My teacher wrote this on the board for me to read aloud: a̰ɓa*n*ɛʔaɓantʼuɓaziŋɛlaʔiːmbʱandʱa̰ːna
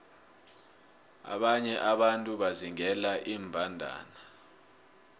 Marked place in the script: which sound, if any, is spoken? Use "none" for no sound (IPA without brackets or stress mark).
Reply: ɲ